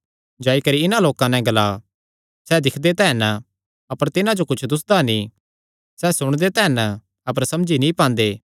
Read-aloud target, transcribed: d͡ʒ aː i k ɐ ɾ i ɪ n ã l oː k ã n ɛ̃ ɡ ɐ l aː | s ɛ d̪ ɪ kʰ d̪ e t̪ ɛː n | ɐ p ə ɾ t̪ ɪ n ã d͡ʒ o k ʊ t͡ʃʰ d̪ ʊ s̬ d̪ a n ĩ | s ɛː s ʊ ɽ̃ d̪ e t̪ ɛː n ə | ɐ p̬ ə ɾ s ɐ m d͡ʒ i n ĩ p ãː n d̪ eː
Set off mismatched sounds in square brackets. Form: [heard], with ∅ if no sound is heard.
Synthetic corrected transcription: d͡ʒ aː i k ɐ ɾ i ɪ n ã l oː k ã n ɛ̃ ɡ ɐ l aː | s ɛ d̪ ɪ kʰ d̪ e t̪ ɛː n | ɐ p ə ɾ t̪ ɪ n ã d͡ʒ o k ʊ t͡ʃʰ d̪ ʊ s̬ d̪ a n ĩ | s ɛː s ʊ ɽ̃ d̪ e t̪ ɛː n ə | ɐ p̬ ə ɾ s ɐ m d͡ʒ i n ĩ p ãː n d̪ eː